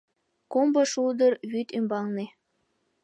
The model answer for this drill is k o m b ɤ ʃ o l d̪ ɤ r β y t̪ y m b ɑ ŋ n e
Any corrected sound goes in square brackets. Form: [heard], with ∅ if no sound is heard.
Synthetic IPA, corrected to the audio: k o m b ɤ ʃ [u] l d̪ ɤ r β y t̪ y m b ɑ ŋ n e